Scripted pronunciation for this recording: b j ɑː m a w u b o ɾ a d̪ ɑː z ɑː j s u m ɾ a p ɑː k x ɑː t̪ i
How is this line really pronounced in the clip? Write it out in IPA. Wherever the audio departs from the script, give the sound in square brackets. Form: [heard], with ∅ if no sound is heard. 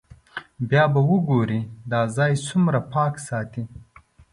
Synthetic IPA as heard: b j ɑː [b] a w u [ɡ] o ɾ [i] d̪ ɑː z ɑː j s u m ɾ a p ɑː k [s] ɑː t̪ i